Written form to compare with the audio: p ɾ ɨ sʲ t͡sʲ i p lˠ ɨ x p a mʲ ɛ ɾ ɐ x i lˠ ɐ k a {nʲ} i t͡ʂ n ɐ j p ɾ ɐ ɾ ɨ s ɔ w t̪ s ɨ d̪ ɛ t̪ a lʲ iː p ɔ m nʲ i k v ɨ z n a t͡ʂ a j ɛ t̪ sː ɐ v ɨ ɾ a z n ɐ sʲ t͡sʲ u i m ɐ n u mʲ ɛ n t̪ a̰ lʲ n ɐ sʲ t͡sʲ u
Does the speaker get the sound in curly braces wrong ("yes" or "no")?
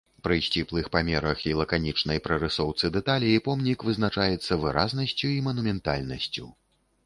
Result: no